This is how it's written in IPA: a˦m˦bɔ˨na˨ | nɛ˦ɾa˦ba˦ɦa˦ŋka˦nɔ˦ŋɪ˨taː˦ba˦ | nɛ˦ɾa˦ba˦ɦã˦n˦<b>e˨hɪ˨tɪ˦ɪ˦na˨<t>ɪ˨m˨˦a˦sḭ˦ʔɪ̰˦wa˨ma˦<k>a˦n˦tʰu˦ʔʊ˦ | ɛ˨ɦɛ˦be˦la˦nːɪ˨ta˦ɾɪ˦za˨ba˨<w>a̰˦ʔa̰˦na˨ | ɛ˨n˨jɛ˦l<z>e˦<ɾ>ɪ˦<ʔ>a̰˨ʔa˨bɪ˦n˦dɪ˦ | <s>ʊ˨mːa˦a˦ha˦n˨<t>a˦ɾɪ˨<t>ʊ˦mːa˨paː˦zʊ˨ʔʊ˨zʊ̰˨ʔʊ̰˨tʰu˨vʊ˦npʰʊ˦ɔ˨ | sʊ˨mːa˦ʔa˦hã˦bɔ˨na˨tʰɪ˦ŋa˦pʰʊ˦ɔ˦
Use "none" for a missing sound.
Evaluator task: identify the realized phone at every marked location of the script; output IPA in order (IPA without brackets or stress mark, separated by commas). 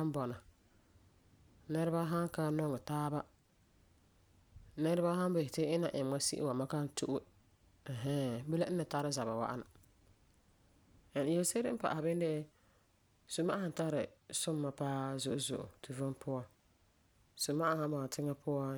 b, ʔ, k, w, s, ɾ, p, s, t, s